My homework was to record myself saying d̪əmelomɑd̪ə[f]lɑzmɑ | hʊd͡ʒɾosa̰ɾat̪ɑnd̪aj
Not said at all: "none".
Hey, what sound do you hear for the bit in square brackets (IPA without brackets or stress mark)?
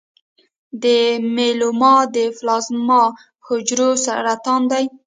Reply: f